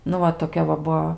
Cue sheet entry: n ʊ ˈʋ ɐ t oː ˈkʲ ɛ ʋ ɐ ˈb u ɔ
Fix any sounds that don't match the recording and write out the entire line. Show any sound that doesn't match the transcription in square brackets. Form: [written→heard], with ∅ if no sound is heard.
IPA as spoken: n ʊ ˈʋ ɐ t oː ˈkʲ ɛ ʋ ɐ ˈb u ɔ